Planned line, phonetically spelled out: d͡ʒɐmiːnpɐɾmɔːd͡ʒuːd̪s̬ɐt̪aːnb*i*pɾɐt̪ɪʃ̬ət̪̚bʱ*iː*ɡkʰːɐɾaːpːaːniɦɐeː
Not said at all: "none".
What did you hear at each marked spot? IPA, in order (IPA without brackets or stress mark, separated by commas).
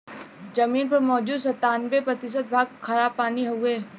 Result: e, aː